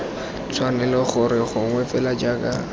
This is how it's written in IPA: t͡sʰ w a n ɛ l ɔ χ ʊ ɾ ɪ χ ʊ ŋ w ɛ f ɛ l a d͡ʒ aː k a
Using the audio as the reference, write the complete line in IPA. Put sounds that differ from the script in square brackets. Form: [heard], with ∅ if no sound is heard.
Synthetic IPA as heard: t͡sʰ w a n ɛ l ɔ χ ʊ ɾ ɪ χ ʊ ŋ w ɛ f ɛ l a d͡ʒ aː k a